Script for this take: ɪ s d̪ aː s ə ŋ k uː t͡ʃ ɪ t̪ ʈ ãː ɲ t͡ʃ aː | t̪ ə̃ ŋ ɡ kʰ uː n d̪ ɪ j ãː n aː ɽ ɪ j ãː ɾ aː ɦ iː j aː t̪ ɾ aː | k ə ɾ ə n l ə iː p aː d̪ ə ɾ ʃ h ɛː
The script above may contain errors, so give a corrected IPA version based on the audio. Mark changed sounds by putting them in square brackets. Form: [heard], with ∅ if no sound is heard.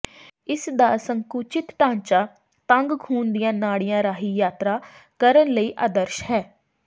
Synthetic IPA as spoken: ɪ s d̪ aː s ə ŋ k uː t͡ʃ ɪ t̪ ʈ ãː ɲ t͡ʃ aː | t̪ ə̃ ŋ ɡ kʰ uː n d̪ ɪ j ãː n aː ɽ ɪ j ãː ɾ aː ɦ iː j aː t̪ ɾ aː | k ə ɾ ə n l ə iː [ʔ] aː d̪ ə ɾ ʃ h ɛː